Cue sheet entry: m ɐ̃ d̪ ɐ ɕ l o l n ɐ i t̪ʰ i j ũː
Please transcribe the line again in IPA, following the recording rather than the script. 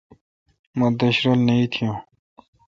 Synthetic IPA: m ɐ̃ d̪ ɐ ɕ ɾ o l n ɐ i t̪ʰ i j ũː